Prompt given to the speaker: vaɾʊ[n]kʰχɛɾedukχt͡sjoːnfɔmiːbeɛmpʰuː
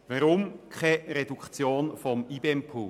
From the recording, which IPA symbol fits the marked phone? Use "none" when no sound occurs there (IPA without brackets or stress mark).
m